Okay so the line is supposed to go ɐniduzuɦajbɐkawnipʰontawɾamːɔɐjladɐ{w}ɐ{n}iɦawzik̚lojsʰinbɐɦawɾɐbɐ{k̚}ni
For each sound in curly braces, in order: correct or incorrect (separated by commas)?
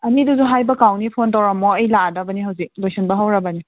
incorrect, correct, incorrect